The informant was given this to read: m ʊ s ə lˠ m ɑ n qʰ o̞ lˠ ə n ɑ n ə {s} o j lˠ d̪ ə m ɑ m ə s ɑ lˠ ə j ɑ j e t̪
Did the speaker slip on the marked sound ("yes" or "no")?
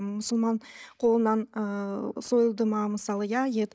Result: no